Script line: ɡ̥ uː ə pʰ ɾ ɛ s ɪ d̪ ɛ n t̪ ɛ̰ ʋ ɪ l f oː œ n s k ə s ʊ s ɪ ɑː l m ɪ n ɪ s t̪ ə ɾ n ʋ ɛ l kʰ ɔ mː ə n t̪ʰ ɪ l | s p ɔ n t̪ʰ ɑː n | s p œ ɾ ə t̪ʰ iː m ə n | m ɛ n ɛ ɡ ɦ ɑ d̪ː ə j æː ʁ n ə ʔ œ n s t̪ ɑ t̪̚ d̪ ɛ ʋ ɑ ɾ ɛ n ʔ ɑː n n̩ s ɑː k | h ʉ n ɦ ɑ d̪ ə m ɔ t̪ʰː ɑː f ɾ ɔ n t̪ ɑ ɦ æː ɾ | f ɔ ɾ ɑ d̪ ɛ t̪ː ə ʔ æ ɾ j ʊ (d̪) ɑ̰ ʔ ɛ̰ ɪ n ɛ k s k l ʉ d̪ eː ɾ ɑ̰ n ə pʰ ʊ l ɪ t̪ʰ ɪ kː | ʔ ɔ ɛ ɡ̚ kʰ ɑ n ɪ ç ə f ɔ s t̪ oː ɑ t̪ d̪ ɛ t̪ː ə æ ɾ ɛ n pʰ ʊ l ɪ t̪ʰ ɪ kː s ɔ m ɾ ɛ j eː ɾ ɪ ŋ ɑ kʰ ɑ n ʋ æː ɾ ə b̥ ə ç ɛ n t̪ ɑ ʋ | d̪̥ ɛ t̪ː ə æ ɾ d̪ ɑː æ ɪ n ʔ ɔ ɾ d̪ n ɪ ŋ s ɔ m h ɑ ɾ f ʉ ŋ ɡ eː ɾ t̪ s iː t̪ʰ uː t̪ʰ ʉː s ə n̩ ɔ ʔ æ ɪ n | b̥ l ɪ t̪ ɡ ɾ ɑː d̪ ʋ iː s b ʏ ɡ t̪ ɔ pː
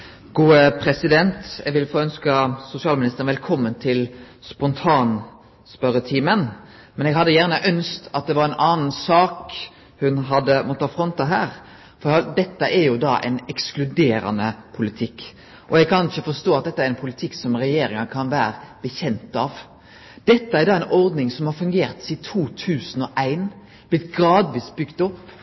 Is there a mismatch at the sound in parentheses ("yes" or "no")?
no